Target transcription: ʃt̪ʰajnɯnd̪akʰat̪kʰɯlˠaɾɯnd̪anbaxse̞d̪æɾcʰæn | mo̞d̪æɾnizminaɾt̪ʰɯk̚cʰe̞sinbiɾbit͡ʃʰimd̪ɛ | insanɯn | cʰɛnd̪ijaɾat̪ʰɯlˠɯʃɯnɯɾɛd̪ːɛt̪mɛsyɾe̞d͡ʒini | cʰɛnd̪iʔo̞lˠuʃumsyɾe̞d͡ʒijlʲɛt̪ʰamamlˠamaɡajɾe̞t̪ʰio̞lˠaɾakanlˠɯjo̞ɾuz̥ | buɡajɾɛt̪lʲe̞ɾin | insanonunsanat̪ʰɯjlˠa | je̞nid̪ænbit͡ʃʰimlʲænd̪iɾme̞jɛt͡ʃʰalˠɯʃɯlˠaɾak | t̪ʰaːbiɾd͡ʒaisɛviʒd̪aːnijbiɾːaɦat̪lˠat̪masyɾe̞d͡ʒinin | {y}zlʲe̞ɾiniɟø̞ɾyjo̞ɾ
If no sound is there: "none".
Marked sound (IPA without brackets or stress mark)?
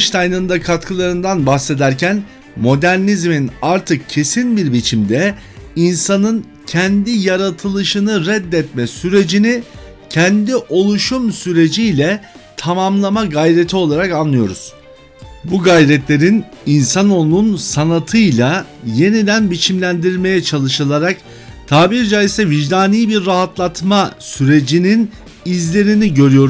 i